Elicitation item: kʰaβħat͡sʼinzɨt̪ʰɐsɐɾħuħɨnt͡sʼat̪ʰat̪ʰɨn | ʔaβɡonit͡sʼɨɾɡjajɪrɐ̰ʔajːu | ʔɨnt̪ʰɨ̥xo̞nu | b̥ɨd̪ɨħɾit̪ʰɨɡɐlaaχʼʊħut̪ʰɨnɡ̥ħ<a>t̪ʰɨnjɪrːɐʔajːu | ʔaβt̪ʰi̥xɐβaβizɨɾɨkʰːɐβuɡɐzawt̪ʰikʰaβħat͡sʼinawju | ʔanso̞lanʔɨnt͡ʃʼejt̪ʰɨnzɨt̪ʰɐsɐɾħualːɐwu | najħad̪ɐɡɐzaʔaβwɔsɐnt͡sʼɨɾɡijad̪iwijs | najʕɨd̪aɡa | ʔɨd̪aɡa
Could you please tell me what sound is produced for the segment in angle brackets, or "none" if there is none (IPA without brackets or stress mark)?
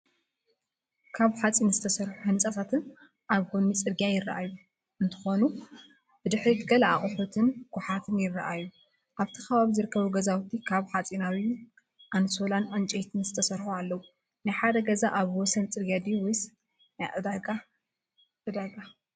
a